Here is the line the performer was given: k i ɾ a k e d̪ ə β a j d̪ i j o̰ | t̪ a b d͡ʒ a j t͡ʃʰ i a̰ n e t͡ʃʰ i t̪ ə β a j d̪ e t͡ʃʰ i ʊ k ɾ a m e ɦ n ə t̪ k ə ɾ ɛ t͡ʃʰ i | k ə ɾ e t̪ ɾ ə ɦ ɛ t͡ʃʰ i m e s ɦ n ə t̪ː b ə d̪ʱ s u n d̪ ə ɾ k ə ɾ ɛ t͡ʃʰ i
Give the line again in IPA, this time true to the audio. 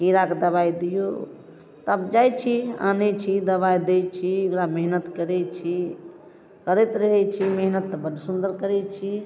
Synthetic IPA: k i ɾ a k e d̪ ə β a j d̪ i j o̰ | t̪ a b d͡ʒ a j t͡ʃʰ i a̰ n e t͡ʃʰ i d̪ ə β a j d̪ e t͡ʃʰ i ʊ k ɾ a m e ɦ n ə t̪ k ə ɾ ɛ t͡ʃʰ i | k ə ɾ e t̪ ɾ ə ɦ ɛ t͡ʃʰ i m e ɦ n ə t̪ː b ə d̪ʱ s u n d̪ ə ɾ k ə ɾ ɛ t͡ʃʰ i